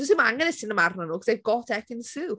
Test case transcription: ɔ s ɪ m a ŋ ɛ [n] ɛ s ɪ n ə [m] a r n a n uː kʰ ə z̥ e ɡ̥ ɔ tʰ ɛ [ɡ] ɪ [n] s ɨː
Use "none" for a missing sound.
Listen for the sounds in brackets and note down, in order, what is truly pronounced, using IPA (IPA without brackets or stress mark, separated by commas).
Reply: n, m, k, n